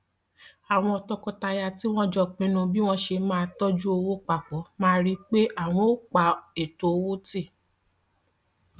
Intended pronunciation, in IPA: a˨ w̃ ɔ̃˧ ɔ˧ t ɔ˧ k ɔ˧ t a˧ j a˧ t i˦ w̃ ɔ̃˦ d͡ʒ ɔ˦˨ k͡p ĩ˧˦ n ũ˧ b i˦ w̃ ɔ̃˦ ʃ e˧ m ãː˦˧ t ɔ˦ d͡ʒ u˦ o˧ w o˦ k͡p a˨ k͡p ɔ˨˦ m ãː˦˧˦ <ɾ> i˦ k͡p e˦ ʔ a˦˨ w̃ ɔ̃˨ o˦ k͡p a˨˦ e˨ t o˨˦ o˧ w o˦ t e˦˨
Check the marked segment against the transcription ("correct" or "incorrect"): correct